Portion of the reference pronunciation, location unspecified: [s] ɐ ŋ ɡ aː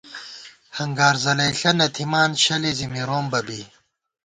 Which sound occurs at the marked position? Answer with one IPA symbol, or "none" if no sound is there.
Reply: h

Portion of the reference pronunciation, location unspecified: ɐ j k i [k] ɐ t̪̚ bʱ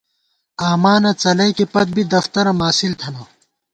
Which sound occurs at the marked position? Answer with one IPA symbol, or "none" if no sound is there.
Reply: p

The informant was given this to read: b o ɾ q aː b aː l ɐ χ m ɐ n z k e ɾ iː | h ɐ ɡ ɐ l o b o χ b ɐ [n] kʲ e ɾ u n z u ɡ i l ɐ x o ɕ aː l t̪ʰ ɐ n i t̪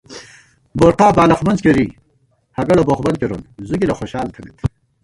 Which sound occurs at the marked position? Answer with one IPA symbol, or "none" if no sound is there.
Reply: n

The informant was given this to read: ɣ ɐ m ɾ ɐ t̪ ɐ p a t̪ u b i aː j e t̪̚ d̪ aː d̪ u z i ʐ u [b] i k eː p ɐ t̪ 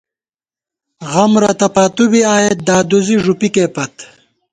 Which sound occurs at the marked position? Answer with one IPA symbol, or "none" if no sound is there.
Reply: p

